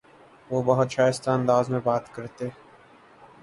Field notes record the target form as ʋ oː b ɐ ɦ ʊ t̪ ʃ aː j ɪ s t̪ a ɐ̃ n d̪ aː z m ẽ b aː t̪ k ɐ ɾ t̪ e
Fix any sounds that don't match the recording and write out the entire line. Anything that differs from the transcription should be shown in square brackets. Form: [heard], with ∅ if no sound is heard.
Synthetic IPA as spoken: ʋ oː b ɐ ɦ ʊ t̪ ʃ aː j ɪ s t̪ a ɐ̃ n d̪ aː z m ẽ b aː t̪ k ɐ ɾ t̪ e